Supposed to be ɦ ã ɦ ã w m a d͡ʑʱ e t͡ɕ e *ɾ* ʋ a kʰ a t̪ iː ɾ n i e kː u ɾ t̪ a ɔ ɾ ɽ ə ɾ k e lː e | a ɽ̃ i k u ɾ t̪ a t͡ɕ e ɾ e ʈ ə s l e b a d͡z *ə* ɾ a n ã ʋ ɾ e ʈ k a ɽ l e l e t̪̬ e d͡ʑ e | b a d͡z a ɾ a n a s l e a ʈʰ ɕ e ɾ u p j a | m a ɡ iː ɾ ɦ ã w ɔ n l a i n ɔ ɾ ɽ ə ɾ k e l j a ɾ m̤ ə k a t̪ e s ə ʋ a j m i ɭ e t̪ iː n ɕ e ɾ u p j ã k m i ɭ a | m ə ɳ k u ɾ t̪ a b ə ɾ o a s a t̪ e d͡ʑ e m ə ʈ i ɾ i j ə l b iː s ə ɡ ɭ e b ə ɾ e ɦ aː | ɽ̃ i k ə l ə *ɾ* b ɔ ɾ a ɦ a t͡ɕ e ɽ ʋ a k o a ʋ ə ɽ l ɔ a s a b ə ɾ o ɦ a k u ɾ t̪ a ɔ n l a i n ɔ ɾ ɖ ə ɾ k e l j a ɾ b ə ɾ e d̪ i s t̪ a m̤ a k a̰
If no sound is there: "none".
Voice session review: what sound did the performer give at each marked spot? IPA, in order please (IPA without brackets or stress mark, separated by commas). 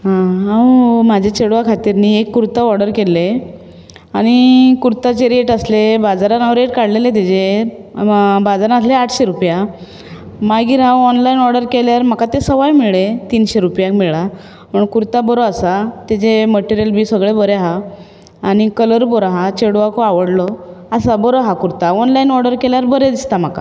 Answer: ɽ, a, ɾ